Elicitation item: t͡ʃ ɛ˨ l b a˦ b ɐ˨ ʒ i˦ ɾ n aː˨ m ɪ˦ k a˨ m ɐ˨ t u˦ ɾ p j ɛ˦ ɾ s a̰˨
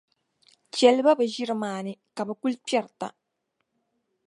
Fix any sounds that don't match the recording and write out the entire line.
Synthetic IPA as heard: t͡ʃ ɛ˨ l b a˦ b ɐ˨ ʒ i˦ ɾ m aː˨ n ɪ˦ k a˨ b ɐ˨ k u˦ l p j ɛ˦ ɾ t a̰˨